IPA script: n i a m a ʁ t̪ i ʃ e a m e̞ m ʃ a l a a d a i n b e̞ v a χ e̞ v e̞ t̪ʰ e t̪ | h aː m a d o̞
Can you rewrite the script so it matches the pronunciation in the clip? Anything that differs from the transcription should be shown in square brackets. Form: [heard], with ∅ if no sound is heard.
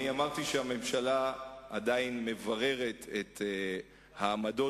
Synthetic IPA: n i a m a ʁ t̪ i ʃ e a m e̞ m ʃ a l a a d a i n [m] e̞ v a [ʁ] e̞ [ʁ] e̞ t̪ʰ e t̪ | h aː m a d o̞